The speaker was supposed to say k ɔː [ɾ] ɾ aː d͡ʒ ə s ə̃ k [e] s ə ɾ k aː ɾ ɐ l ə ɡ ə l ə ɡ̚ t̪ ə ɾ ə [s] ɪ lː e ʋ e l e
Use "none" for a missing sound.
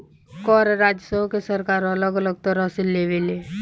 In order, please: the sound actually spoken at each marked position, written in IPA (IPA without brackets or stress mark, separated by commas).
ɾ, e, s